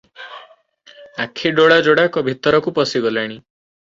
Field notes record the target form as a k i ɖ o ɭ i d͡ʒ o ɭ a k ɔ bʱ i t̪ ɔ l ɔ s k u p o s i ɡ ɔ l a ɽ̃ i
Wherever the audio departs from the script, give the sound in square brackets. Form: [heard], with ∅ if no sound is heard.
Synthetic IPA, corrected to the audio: a [kʰ] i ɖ o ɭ [a] d͡ʒ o [ɽ] a k ɔ bʱ i t̪ ɔ [ɾ] ɔ [∅] k u p [ɔ] s i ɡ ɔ l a ɽ̃ i